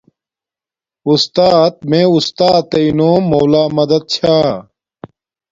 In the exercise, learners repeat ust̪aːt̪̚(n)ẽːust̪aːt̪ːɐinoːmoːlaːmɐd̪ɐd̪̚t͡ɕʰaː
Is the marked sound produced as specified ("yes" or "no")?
no